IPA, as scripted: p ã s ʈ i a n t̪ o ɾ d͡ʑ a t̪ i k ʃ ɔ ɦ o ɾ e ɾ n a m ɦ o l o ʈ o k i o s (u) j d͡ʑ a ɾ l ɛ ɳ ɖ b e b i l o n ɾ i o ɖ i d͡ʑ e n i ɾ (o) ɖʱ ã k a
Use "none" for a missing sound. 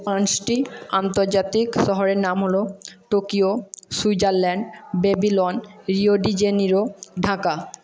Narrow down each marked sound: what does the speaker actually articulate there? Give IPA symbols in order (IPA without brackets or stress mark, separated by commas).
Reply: u, o